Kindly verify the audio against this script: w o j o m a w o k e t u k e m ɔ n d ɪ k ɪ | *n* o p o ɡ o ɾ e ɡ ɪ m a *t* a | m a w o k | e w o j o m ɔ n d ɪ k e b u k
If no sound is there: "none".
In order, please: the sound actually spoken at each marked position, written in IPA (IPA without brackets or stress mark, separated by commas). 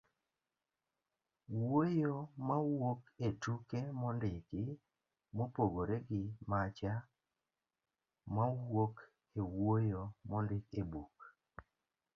m, t͡ʃ